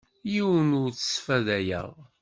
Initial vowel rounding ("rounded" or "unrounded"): unrounded